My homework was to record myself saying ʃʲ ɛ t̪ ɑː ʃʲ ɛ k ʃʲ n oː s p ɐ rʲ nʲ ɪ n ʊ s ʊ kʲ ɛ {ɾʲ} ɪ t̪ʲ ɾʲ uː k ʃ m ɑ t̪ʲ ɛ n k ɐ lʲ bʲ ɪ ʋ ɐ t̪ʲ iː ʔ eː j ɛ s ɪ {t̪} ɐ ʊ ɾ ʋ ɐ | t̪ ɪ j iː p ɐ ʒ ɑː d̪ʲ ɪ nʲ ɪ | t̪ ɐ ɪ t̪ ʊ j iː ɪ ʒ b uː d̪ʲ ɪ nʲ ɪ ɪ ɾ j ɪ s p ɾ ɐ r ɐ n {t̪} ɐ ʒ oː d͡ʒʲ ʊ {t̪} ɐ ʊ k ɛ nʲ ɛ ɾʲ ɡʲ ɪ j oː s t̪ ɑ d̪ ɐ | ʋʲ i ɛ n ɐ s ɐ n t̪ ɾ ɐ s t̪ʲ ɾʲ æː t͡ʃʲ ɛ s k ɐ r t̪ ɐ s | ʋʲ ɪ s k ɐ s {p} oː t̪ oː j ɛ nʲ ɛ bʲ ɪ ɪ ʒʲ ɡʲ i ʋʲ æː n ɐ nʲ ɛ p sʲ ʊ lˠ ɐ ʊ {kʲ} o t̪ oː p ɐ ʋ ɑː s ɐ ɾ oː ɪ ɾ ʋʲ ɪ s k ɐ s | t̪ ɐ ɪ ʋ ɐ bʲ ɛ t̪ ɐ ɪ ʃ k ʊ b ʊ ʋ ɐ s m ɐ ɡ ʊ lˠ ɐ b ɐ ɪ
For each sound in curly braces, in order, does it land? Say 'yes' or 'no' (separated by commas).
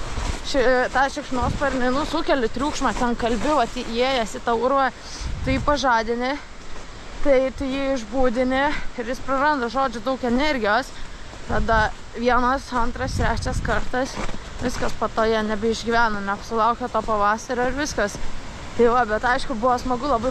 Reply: no, yes, no, no, yes, yes